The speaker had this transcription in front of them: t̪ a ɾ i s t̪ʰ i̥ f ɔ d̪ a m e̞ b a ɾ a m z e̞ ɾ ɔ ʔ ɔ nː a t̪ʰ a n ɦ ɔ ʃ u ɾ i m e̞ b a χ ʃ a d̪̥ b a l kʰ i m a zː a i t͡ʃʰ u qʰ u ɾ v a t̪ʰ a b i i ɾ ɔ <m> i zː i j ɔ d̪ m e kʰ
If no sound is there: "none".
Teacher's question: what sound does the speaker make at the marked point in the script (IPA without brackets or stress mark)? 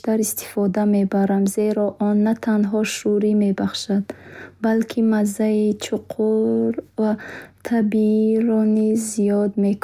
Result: n